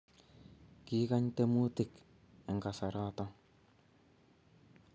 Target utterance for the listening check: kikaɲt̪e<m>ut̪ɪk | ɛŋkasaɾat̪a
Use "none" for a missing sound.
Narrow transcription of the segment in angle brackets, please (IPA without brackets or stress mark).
m